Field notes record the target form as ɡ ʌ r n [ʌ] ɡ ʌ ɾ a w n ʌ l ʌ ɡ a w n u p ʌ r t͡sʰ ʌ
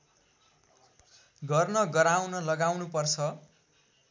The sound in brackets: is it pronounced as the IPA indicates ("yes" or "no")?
yes